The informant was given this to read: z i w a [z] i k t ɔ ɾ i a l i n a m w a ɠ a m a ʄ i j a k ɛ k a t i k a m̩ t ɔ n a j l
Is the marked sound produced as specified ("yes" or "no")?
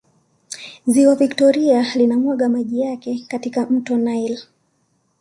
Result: no